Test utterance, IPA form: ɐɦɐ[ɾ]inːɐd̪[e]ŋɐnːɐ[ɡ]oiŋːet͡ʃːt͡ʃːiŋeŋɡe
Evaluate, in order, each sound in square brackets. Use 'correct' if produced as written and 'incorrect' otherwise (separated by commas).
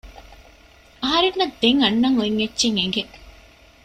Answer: correct, correct, incorrect